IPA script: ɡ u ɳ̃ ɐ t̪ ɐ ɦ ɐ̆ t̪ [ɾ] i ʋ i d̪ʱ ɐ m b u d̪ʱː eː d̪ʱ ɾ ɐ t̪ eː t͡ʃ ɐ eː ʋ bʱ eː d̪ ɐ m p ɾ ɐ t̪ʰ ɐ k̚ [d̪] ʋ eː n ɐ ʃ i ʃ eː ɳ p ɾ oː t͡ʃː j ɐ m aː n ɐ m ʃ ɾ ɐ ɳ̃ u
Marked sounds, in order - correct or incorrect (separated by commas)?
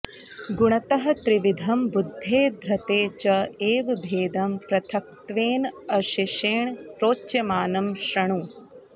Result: correct, incorrect